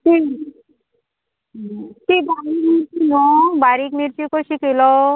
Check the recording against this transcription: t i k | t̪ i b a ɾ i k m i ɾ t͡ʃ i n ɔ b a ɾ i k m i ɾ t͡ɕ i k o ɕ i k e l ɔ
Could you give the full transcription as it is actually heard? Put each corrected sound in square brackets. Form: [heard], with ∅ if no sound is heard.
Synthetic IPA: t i [∅] | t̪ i b a ɾ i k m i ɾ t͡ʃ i n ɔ b a ɾ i k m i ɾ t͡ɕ i k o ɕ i k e l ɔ